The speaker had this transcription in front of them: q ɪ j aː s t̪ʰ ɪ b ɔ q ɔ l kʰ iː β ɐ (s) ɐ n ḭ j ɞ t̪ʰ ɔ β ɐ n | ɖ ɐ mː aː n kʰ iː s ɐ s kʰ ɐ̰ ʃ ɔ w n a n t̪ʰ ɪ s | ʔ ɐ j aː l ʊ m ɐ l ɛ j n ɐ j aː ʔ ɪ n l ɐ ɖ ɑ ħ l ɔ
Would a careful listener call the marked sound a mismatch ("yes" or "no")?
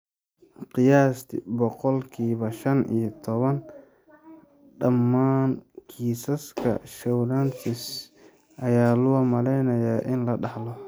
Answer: yes